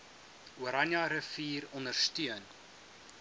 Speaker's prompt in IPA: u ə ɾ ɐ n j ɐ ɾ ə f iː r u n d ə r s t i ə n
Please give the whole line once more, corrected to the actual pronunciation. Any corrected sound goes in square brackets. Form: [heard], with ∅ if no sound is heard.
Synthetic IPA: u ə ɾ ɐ n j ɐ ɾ ə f iː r [ɔ] n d ə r s t [y] ə n